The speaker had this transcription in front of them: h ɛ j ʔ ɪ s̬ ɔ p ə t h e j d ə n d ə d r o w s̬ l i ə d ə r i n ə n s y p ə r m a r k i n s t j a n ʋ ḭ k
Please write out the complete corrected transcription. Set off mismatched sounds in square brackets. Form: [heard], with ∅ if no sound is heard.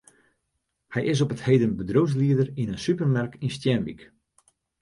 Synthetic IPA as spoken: h ɛ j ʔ ɪ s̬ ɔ p ə t h e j d ə n [b] ə d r o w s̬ l i ə d ə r i n ə n s y p ə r m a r k i n s t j [ɛ] n ʋ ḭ k